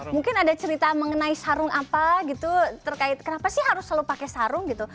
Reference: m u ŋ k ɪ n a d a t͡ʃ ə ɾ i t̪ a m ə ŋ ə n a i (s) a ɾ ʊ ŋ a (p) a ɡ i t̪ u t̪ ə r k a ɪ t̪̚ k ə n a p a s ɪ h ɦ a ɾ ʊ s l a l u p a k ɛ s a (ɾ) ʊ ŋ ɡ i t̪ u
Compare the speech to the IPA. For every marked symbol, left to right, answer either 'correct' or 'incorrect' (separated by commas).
correct, correct, correct